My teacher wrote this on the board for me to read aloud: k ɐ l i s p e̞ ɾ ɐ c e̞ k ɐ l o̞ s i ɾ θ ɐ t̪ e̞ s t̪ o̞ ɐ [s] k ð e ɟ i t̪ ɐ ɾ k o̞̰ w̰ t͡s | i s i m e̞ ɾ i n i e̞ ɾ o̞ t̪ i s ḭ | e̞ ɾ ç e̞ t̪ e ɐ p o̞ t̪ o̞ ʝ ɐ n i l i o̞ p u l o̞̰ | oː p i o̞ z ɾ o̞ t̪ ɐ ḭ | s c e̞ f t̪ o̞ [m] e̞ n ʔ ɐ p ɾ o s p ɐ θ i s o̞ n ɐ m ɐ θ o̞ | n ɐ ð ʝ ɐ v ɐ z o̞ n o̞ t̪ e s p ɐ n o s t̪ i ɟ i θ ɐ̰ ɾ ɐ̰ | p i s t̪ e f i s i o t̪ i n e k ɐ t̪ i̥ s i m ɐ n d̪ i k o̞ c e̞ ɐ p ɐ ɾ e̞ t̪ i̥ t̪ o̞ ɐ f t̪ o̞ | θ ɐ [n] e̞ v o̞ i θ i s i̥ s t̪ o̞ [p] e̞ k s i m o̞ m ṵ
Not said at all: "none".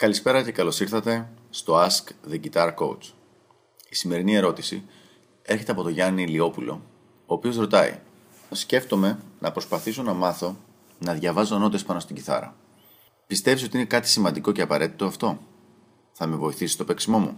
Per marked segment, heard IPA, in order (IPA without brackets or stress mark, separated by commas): s, m, m, p